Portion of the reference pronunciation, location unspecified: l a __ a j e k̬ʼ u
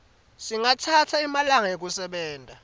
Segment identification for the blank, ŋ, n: ŋ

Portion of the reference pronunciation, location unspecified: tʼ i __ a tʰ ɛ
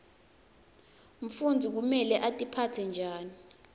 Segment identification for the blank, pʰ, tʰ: pʰ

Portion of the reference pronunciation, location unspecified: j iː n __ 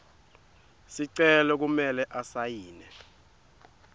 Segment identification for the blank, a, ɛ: ɛ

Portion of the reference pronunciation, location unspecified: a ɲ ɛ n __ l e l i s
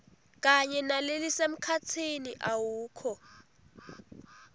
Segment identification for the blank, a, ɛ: a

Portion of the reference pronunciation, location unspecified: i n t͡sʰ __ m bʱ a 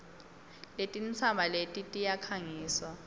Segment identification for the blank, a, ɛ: a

